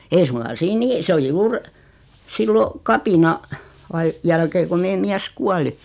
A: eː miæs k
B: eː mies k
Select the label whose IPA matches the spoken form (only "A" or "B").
A